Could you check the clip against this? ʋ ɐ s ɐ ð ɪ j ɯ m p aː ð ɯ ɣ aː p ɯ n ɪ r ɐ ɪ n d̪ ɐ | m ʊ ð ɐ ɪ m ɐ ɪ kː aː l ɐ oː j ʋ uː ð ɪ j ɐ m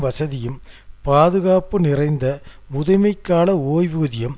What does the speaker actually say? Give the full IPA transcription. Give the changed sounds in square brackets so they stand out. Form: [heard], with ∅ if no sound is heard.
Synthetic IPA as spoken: ʋ ɐ s ɐ ð ɪ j ɯ m p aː ð ɯ ɣ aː p ɯ n ɪ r ɐ ɪ n d̪ ɐ | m ʊ ð ɐ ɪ m ɐ ɪ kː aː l ɐ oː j ʋ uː ð ɪ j ɐ m